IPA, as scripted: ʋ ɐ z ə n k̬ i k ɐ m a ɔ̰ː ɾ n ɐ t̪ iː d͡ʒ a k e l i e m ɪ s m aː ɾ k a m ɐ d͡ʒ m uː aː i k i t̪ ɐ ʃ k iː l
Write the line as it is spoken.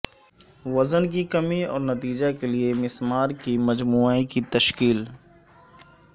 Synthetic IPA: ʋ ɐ z ə n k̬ i k ɐ m i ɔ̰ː ɾ n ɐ t̪ iː d͡ʒ a k e l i e m ɪ s m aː ɾ k i m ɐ d͡ʒ m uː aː i k i t̪ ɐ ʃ k iː l